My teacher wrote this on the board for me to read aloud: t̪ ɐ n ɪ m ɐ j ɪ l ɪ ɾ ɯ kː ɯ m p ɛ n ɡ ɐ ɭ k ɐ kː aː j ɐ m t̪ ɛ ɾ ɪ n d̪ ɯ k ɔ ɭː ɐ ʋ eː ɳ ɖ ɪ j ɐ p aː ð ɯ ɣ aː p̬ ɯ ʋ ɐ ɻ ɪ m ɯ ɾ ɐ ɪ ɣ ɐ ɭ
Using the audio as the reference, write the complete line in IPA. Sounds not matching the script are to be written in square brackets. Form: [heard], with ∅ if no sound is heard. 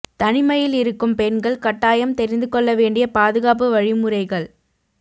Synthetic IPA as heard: t̪ ɐ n ɪ m ɐ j ɪ l ɪ ɾ ɯ kː ɯ m p ɛ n ɡ ɐ ɭ k ɐ [ʈː] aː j ɐ m t̪ ɛ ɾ ɪ n d̪ ɯ k ɔ ɭː ɐ ʋ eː ɳ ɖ ɪ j ɐ p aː ð ɯ ɣ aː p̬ ɯ ʋ ɐ ɻ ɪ m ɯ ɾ ɐ ɪ ɣ ɐ ɭ

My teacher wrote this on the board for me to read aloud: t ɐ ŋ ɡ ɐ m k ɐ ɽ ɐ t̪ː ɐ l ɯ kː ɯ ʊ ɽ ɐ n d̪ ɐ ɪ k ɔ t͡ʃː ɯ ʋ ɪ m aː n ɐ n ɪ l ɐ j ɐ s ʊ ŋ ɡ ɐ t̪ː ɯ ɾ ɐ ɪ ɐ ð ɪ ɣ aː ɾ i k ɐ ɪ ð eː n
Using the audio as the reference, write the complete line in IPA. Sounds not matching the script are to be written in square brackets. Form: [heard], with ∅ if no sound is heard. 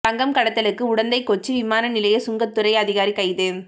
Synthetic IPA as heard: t ɐ ŋ ɡ ɐ m k ɐ ɽ ɐ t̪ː ɐ l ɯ kː ɯ ʊ ɽ ɐ n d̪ ɐ ɪ k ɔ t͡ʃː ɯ ʋ ɪ m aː n ɐ n ɪ l ɐ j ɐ s ʊ ŋ ɡ ɐ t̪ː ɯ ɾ ɐ ɪ ɐ ð ɪ ɣ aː ɾ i k ɐ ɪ ð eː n

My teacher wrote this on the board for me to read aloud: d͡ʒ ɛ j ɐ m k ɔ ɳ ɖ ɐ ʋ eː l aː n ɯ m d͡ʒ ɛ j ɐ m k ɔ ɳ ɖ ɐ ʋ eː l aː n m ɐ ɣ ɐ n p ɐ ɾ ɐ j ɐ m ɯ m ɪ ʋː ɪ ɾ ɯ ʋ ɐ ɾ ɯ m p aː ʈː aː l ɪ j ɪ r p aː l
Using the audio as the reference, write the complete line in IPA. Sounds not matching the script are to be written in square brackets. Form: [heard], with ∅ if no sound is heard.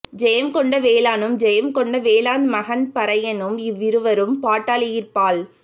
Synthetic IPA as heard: d͡ʒ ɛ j ɐ m k ɔ ɳ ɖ ɐ ʋ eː l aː n ɯ m d͡ʒ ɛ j ɐ m k ɔ ɳ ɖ ɐ ʋ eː l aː n m ɐ ɣ ɐ n p ɐ ɾ ɐ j ɐ [n] ɯ m ɪ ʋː ɪ ɾ ɯ ʋ ɐ ɾ ɯ m p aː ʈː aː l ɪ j ɪ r p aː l

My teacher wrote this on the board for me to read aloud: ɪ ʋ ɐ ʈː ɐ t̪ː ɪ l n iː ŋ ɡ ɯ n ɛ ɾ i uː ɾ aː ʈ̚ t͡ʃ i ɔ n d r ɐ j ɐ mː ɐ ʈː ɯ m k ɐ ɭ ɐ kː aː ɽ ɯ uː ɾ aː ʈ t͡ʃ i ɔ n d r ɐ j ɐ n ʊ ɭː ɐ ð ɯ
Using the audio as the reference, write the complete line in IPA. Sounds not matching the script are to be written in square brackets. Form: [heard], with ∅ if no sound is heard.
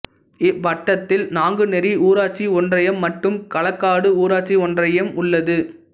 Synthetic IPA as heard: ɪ ʋ ɐ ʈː ɐ t̪ː ɪ l n [aː] ŋ ɡ ɯ n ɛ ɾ i uː ɾ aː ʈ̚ t͡ʃ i ɔ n d r ɐ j ɐ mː ɐ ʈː ɯ m k ɐ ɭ ɐ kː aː ɽ ɯ uː ɾ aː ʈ t͡ʃ i ɔ n d r ɐ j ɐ [m] ʊ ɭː ɐ ð ɯ

